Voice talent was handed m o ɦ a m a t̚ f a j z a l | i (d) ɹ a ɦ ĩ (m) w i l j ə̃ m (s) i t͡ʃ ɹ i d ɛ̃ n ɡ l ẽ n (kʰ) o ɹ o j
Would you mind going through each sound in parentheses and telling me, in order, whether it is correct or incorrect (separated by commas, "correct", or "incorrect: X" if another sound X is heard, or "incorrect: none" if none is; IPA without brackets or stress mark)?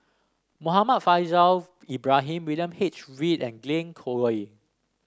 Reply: incorrect: b, correct, incorrect: h, correct